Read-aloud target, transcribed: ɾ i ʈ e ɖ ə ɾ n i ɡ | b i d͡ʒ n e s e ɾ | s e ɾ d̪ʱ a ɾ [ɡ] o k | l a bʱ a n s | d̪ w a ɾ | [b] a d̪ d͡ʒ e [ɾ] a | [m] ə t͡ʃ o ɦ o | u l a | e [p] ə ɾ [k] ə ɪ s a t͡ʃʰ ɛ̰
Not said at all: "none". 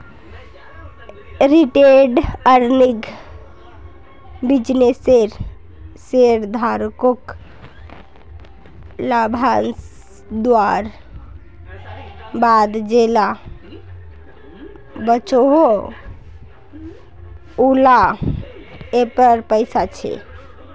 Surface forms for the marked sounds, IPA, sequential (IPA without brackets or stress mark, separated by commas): k, b, l, b, p, p